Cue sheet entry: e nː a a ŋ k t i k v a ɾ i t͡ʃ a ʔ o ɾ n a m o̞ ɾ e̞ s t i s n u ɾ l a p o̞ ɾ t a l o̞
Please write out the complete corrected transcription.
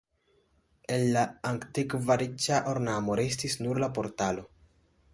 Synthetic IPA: e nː a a ŋ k t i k v a ɾ i t͡ʃ a ʔ o ɾ n a m o̞ ɾ e̞ s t i s n u ɾ l a p o̞ ɾ t a l o̞